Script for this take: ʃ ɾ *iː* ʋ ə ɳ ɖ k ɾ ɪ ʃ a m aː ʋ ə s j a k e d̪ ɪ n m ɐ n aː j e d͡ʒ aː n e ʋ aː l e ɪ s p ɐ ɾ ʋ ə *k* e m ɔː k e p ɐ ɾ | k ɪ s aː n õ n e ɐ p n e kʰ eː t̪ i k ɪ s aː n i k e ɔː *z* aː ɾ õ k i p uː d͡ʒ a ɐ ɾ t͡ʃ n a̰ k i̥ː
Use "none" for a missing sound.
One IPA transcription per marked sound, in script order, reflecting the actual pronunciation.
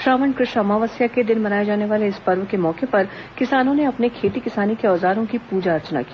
aː, k, z

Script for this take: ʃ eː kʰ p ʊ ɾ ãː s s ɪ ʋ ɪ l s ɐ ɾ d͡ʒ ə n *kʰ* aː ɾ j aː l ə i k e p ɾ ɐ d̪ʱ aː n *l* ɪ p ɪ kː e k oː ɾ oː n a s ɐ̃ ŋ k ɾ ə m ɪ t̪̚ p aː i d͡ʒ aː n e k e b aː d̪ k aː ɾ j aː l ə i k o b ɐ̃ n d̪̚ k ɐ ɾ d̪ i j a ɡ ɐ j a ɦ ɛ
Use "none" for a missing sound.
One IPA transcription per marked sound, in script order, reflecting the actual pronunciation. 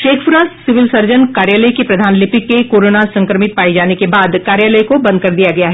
k, l

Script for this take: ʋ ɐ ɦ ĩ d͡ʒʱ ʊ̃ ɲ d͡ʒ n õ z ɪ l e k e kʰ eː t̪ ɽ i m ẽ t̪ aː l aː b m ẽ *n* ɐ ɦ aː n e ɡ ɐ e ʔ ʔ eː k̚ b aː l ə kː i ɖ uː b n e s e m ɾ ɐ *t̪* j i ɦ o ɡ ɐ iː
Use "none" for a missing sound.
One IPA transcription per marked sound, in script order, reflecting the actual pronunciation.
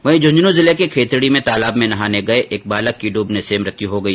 n, t̪

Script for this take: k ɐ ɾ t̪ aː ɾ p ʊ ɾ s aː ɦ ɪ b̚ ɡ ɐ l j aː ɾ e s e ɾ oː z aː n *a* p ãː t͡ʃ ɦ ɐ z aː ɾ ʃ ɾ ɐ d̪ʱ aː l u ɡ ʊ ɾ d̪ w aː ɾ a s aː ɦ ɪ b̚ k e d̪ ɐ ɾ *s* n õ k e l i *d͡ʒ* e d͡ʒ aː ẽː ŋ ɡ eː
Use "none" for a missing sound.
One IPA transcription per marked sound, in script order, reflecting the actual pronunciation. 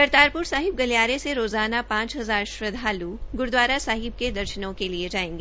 a, ʃ, none

